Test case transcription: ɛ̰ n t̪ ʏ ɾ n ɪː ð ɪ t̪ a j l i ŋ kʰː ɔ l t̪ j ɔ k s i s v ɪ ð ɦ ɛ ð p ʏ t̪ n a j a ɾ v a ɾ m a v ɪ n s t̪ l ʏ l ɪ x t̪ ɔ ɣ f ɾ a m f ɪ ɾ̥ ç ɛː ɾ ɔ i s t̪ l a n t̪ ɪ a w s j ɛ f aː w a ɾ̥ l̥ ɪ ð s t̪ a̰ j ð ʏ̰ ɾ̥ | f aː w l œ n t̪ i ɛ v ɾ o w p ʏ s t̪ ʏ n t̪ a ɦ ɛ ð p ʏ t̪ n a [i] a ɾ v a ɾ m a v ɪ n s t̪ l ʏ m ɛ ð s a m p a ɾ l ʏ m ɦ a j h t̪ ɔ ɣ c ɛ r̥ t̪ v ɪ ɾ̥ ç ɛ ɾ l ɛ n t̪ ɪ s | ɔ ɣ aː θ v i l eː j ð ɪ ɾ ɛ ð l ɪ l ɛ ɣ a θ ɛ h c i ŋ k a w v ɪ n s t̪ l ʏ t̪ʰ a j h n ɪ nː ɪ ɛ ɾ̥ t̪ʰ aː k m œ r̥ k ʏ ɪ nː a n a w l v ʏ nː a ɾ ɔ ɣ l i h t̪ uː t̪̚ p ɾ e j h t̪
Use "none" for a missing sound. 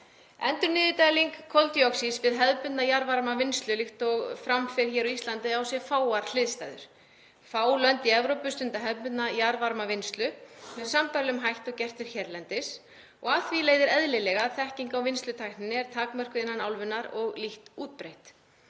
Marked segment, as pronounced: j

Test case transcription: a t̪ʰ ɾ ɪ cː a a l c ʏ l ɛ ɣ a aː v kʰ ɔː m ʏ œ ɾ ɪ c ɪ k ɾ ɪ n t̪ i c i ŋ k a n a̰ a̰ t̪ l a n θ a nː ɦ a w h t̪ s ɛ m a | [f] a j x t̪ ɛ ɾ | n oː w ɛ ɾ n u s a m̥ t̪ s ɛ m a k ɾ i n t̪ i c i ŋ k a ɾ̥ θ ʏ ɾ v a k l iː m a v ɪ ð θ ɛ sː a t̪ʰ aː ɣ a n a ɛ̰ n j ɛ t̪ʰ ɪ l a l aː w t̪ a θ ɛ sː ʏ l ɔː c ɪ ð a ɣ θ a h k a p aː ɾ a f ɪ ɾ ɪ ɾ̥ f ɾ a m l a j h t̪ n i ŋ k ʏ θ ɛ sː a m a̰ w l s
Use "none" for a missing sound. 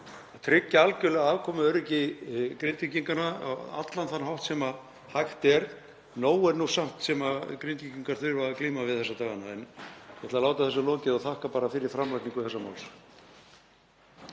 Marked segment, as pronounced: h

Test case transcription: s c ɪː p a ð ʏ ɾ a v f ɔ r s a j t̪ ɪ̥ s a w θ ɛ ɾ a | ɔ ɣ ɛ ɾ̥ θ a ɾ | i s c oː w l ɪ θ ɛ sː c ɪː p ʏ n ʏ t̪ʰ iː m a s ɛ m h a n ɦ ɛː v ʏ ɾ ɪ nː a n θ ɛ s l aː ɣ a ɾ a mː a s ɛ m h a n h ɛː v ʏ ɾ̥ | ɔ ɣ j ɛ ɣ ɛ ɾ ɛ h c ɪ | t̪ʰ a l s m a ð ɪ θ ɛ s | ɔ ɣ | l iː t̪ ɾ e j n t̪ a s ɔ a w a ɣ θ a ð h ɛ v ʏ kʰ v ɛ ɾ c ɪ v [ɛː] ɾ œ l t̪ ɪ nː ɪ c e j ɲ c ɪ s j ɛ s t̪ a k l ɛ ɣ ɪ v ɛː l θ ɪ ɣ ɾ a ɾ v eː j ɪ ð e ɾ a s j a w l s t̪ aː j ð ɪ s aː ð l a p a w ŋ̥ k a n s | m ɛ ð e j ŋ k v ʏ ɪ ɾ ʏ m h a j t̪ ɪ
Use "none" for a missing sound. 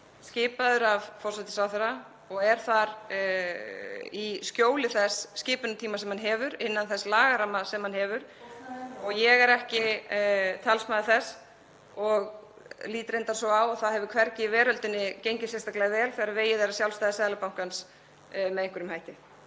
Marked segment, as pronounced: ɛː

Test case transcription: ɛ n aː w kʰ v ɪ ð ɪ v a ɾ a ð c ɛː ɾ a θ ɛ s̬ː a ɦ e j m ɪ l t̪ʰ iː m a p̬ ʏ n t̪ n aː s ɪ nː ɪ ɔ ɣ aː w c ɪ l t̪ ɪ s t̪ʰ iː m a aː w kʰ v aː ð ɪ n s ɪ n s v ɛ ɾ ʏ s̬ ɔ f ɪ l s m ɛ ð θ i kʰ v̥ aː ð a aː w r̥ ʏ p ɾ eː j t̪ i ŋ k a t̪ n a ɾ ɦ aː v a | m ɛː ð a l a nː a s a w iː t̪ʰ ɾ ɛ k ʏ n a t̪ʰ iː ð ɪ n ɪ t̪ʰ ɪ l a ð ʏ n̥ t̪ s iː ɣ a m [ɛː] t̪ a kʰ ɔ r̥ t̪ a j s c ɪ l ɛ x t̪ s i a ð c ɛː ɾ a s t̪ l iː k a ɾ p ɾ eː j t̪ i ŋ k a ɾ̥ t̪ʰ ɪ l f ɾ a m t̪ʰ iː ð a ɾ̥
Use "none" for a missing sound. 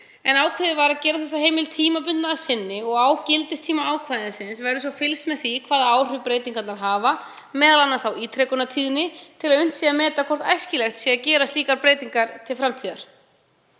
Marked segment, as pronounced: ɛː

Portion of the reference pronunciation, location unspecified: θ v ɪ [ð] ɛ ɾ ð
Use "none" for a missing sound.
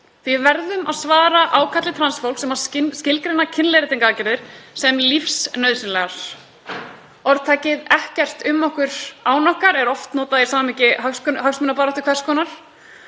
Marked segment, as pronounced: v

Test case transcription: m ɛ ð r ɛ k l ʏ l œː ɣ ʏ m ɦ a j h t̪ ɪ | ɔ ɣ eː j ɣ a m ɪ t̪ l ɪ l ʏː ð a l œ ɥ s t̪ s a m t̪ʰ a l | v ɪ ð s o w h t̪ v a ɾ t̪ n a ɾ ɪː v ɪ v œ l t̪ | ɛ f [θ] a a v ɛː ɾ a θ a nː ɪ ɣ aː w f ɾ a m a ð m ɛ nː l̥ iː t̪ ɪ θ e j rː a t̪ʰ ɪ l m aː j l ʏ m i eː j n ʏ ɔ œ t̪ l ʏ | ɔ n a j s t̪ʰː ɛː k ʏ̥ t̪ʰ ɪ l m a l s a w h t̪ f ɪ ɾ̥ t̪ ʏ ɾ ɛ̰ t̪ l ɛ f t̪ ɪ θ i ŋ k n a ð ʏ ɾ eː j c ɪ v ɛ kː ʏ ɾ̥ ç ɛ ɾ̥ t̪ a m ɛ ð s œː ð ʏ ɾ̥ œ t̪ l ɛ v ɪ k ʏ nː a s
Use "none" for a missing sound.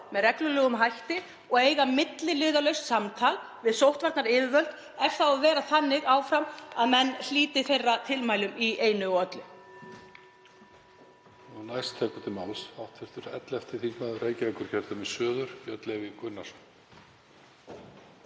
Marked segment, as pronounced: θ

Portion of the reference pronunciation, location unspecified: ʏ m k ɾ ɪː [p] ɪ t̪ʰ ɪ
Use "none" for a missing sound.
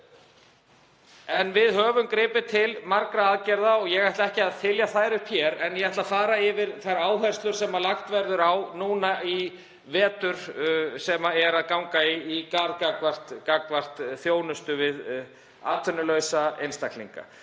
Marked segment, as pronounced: p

